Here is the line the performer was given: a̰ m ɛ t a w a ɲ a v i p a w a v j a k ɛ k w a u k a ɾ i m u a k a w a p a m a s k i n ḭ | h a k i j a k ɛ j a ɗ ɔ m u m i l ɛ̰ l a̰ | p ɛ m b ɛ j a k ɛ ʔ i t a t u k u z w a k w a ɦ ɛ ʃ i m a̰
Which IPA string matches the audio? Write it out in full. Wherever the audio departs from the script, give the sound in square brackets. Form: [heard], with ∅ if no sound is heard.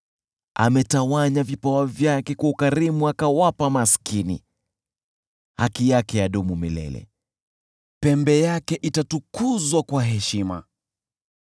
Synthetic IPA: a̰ m ɛ t a w a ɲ a v i p a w a v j a k ɛ k w a u k a ɾ i m u a k a w a p a m a s k i n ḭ | h a k i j a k ɛ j a ɗ ɔ m u m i l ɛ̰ l [ɛ̰] | p ɛ m b ɛ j a k ɛ ʔ i t a t u k u z w a k w a ɦ ɛ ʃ i m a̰